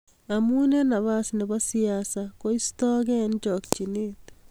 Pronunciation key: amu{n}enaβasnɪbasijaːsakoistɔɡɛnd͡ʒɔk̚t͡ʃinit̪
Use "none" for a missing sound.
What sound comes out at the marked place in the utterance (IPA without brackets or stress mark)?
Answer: n